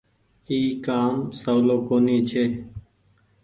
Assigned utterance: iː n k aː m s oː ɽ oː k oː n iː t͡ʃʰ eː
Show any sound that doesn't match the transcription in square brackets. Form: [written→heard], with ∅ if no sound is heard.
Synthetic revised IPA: iː [n→∅] k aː m s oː [ɽ→l] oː k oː n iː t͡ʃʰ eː